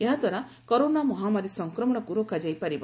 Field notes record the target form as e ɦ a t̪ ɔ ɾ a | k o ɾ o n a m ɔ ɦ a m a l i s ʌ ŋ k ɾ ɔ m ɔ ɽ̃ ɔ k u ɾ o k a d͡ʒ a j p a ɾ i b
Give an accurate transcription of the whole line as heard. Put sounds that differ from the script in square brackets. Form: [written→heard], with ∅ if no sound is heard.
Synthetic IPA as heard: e ɦ a t̪ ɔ ɾ a | k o ɾ o n a m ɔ ɦ a m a [l→ɾ] i s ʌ ŋ k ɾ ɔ m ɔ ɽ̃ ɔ k u ɾ o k a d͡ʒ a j p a ɾ i b

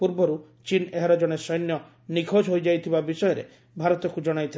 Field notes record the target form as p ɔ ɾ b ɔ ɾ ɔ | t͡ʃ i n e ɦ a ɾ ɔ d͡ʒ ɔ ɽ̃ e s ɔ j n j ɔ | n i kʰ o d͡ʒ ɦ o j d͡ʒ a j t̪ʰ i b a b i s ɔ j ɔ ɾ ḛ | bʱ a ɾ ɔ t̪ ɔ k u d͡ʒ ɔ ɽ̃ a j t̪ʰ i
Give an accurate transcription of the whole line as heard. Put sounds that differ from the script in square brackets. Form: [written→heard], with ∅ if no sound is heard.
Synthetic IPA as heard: p [ɔ→u] ɾ b ɔ ɾ [ɔ→u] | t͡ʃ i n e ɦ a ɾ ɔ d͡ʒ ɔ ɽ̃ e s ɔ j n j ɔ | n i kʰ o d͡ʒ ɦ o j d͡ʒ a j t̪ʰ i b a b i s ɔ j ɔ ɾ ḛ | bʱ a ɾ ɔ t̪ ɔ k u d͡ʒ ɔ ɽ̃ a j t̪ʰ i

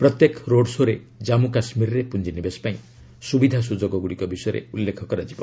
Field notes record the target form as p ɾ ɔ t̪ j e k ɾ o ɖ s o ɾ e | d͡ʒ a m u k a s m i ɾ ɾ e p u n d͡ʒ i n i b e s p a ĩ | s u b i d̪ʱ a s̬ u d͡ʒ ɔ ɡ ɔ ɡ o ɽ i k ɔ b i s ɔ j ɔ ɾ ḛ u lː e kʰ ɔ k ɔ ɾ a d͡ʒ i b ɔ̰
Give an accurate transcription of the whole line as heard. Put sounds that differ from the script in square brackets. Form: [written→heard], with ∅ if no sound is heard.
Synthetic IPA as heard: p ɾ ɔ t̪ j e k ɾ o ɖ s o ɾ e | d͡ʒ a m u k a s m i ɾ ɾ e p u n d͡ʒ i n i b e s p a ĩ | s u b i d̪ʱ a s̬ u d͡ʒ ɔ ɡ ɔ ɡ [o→u] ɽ i k ɔ b i s ɔ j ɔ ɾ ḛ u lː e kʰ ɔ k ɔ ɾ a d͡ʒ i b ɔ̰

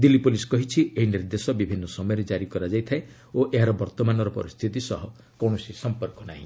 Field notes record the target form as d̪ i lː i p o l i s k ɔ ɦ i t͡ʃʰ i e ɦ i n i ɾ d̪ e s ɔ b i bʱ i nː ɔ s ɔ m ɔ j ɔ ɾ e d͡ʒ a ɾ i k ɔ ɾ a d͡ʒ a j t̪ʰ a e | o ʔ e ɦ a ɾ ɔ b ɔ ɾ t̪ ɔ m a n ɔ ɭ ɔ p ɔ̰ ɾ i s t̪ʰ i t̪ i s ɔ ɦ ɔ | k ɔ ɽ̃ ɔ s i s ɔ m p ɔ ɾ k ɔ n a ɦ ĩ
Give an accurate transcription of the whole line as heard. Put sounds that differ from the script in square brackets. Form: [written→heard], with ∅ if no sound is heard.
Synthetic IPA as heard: d̪ i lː i p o l i s k ɔ ɦ i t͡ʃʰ i e ɦ i n i ɾ d̪ e s ɔ b i bʱ i nː ɔ s ɔ m ɔ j ɔ ɾ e d͡ʒ a ɾ i k ɔ ɾ a d͡ʒ a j t̪ʰ a e | o ʔ e ɦ a ɾ ɔ b ɔ ɾ t̪ ɔ m a n ɔ [ɭ→ɾ] ɔ p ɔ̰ ɾ i s t̪ʰ i t̪ i s ɔ ɦ ɔ | k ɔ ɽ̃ ɔ s i s ɔ m p ɔ ɾ k ɔ n a ɦ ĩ

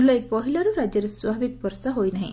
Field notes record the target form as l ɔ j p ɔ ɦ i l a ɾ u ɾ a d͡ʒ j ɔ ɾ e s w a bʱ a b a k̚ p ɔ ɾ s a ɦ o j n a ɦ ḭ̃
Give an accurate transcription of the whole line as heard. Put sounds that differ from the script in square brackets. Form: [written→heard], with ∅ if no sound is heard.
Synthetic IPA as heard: l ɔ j p ɔ ɦ i l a ɾ u ɾ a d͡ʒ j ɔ ɾ e s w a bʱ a b [a→i] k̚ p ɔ ɾ s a ɦ o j n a ɦ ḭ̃

